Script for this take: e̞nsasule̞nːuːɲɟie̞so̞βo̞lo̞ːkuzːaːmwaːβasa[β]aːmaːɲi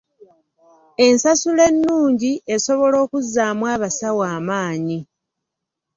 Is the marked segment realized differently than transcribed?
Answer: yes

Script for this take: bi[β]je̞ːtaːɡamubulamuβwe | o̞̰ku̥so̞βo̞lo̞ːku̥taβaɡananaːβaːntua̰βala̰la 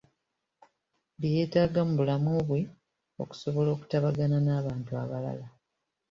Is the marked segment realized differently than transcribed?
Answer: yes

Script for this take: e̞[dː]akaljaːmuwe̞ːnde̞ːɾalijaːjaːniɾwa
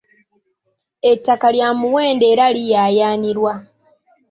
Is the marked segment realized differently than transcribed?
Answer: yes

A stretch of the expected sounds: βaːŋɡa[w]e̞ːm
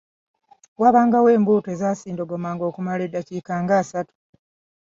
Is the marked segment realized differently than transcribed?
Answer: no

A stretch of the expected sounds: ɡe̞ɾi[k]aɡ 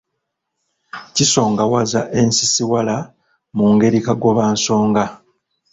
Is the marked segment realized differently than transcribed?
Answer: no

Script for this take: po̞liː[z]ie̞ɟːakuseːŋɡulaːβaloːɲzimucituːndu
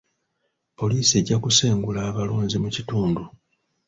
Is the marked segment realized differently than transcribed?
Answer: yes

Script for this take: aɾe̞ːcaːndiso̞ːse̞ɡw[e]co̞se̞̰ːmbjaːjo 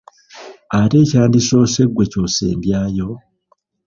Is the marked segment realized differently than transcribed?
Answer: no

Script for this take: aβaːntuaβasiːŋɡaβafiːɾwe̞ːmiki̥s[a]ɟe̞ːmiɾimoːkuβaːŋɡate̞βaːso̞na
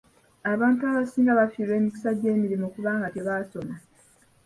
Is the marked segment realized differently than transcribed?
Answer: no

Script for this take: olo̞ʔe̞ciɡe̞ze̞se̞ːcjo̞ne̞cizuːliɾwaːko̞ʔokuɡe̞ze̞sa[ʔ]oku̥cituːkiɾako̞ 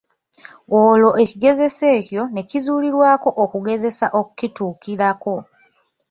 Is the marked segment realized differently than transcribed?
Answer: no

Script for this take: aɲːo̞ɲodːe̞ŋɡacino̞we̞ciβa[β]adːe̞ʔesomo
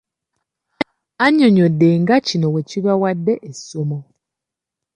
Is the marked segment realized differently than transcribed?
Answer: yes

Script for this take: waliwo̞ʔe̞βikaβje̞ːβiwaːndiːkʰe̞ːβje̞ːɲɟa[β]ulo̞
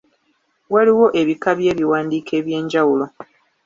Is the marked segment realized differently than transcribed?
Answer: yes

